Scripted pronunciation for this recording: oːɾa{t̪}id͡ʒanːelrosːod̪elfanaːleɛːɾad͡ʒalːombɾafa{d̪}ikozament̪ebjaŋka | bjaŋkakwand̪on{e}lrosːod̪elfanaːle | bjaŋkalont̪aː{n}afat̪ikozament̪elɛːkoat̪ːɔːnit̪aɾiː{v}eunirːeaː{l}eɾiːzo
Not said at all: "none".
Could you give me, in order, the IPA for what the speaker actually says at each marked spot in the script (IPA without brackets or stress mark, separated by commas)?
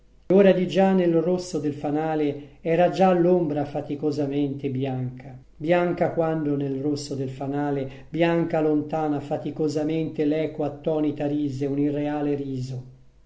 d̪, t̪, e, n, z, l